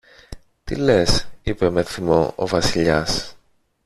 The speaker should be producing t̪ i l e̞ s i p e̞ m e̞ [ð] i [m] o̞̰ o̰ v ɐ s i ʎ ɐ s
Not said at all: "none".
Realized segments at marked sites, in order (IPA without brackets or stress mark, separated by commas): θ, m